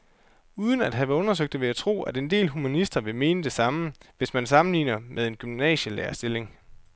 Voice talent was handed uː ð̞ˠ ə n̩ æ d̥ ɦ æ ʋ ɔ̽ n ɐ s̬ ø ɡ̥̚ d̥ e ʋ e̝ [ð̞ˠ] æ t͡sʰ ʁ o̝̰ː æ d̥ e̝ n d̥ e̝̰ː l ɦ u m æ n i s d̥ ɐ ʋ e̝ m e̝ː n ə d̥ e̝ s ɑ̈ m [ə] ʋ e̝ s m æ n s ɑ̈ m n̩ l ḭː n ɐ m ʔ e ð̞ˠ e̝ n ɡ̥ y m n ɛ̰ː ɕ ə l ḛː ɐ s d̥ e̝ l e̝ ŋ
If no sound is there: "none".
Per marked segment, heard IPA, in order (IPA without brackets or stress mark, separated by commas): none, ə